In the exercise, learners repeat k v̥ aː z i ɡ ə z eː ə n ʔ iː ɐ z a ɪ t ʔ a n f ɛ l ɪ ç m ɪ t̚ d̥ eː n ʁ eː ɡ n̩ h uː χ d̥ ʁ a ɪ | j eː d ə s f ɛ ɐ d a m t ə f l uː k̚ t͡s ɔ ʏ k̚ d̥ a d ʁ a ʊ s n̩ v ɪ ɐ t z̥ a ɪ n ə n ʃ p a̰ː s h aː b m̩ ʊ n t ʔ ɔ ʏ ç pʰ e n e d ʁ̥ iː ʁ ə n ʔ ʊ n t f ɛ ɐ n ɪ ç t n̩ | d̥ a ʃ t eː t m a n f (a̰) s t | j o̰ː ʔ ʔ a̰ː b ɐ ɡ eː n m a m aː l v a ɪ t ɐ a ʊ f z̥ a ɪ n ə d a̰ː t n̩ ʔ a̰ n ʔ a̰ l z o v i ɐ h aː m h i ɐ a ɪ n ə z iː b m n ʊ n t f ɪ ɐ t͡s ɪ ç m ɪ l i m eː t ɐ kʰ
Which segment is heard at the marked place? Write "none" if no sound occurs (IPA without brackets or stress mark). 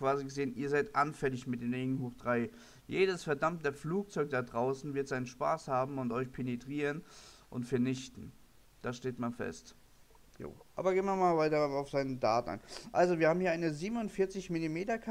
ɛ̰